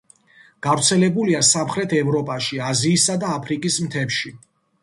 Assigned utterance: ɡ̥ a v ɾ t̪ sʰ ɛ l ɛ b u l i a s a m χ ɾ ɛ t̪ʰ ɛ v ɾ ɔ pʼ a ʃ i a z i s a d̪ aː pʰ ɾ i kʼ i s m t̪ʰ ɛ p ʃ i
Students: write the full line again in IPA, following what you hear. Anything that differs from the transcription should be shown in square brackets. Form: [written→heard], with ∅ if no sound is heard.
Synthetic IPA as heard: ɡ̥ a v ɾ t̪ sʰ ɛ l ɛ b u l i a s a m χ ɾ ɛ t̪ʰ ɛ v ɾ ɔ pʼ a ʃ i a z [i→iː] s a d̪ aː pʰ ɾ i kʼ i s m t̪ʰ ɛ p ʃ i